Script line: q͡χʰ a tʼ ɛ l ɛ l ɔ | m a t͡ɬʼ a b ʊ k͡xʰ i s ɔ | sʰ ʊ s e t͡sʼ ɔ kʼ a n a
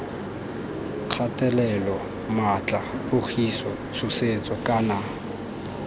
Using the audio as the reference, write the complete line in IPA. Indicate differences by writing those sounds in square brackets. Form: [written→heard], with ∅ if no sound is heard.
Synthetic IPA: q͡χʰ a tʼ ɛ l ɛ l ɔ | m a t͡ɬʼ a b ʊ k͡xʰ i s ɔ | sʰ ʊ s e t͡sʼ ɔ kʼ a n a